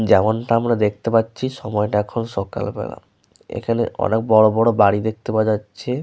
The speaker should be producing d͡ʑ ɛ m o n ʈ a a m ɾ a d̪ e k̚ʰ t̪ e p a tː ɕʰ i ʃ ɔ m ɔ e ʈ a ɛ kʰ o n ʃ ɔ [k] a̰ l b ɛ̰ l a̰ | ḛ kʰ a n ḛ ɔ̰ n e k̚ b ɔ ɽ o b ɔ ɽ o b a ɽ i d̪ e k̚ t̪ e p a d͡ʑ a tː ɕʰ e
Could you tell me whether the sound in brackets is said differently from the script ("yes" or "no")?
no